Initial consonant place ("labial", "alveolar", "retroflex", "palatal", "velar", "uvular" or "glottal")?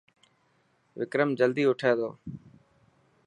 labial